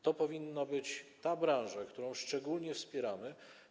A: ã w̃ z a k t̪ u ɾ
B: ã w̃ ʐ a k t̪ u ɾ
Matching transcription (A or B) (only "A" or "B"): B